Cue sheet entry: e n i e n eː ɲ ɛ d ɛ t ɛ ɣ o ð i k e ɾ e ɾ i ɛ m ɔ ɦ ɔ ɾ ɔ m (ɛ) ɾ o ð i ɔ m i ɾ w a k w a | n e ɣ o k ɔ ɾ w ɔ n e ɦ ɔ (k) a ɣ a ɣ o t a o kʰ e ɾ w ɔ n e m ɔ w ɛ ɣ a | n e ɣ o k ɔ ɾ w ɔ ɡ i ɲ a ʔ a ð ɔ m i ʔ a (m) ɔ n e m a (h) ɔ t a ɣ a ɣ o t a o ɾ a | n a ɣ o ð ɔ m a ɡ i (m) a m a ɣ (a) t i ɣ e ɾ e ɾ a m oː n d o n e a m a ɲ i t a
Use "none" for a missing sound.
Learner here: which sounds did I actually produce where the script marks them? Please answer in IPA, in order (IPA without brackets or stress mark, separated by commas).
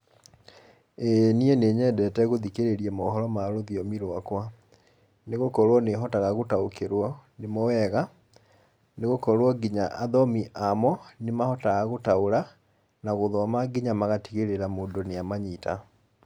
a, t, m, h, ɲ, a